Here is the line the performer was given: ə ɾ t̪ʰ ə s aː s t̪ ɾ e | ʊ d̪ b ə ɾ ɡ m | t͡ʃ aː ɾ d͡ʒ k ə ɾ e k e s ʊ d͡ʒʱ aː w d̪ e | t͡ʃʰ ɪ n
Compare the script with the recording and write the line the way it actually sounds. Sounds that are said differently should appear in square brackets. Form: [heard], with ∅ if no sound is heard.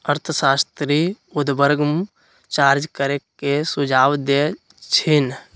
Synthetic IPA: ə ɾ t̪ʰ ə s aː s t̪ ɾ [i] | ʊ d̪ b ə ɾ ɡ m | t͡ʃ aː ɾ d͡ʒ k ə ɾ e k e s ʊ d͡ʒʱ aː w d̪ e | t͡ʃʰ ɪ n